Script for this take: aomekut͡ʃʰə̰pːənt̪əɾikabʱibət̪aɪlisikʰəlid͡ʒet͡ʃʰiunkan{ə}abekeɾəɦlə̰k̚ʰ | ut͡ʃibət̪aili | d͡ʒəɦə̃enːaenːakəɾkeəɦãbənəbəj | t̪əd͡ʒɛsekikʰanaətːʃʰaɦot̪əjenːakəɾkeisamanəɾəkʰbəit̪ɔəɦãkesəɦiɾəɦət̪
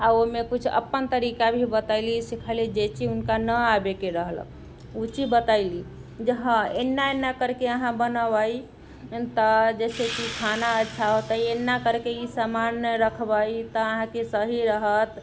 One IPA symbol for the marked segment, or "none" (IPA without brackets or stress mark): ə